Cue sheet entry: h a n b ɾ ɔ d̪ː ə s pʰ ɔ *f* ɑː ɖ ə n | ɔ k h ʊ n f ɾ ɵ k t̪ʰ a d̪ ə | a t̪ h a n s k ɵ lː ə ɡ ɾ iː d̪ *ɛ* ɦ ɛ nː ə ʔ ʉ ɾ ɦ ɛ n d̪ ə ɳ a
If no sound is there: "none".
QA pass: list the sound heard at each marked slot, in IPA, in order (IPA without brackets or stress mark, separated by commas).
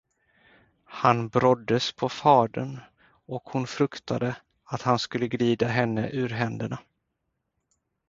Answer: f, a